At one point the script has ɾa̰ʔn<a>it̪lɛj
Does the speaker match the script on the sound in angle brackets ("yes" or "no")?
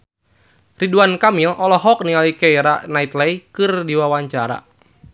yes